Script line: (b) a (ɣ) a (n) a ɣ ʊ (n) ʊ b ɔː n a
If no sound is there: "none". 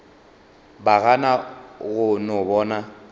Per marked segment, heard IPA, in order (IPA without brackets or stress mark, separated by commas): b, ɣ, n, n